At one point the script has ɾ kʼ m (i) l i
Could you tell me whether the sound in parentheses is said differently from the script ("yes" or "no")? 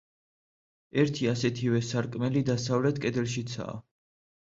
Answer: yes